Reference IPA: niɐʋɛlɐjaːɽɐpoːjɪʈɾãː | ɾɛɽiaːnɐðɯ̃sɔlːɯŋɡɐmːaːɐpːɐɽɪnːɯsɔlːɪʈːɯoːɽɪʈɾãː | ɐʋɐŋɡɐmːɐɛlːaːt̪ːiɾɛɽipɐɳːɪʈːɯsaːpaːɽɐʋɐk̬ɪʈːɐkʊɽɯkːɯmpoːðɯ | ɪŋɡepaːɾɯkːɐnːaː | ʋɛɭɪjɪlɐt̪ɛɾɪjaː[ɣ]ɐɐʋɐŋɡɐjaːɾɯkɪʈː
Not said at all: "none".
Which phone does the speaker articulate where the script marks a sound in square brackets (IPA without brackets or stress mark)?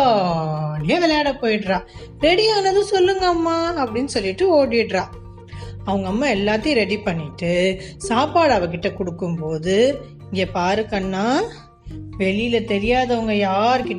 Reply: ð